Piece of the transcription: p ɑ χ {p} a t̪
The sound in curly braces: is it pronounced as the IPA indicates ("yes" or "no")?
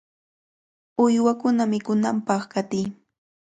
no